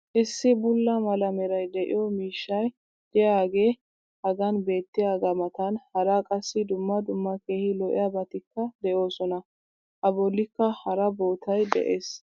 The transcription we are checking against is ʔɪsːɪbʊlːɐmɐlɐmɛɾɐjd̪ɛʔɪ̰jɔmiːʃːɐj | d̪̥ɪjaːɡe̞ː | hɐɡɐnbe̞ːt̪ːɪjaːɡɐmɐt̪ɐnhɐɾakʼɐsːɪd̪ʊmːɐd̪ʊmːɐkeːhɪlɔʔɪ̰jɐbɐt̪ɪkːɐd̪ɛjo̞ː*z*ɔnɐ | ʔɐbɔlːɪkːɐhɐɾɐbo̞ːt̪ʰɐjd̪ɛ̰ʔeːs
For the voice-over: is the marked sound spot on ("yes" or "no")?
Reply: no